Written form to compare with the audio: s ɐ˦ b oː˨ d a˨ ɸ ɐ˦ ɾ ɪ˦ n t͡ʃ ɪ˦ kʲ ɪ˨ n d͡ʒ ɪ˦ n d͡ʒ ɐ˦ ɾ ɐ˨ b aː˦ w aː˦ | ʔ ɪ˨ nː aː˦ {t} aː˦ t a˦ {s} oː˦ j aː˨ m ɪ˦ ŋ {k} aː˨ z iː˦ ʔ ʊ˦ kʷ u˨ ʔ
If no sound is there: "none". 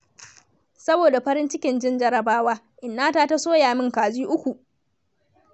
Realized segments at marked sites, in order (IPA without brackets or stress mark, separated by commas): t, s, k